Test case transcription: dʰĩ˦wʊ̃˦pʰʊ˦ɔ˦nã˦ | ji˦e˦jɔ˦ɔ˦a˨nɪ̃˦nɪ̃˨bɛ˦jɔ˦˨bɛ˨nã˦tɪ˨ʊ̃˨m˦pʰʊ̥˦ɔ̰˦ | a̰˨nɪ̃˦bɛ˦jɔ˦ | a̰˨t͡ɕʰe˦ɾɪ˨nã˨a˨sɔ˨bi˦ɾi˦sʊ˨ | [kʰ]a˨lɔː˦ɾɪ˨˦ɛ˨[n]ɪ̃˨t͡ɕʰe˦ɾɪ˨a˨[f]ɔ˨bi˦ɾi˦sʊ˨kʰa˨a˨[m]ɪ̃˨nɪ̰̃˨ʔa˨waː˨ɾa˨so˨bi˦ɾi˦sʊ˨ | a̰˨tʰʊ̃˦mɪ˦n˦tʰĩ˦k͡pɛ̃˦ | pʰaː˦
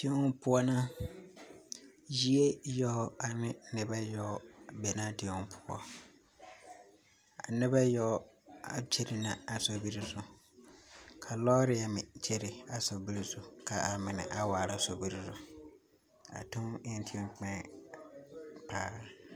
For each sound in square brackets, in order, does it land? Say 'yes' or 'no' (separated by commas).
yes, no, no, yes